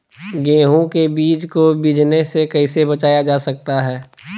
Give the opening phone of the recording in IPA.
ɡ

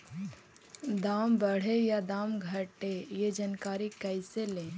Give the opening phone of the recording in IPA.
d̪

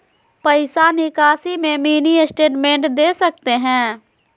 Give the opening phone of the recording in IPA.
p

